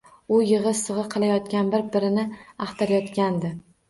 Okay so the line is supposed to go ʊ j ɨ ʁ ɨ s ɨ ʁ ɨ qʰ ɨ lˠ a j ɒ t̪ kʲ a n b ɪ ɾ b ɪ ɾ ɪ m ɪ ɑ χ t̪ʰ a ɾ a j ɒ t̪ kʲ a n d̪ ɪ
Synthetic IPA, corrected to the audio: ʊ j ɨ ʁ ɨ s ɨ ʁ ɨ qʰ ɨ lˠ a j ɒ t̪ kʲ a n b ɪ ɾ b ɪ ɾ ɪ n ɪ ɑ χ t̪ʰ a ɾ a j ɒ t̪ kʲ a n d̪ ɪ